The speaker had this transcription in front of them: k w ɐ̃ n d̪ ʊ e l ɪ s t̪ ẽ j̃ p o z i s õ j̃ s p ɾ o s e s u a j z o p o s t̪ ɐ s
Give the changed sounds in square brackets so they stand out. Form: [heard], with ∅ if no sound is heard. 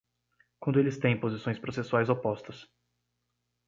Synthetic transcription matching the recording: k w ɐ̃ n d̪ ʊ e l ɪ s t̪ ẽ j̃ p o z i s õ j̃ s p ɾ o s e s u a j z o p [ɔ] s t̪ ɐ s